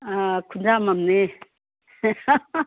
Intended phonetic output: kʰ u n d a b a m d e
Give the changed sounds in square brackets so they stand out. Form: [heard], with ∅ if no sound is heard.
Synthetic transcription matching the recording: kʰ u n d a [m] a m [n] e